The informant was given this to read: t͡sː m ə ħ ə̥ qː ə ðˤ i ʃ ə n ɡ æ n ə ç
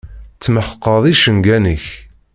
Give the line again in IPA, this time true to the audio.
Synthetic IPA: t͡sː m ə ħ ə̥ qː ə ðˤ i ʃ ə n ɡ æ n ə ç

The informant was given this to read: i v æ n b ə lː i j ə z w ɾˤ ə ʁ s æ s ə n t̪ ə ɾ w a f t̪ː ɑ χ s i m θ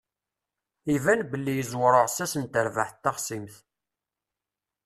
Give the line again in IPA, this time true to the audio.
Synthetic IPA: i v æ n b ə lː i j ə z w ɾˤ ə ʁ s æ s ə n t̪ ə ɾ v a ħ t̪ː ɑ χ s i m θ

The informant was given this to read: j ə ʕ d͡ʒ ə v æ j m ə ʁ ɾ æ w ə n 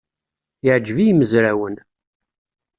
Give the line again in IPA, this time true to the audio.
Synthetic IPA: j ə ʕ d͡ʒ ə v i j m ə z ɾ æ w ə n

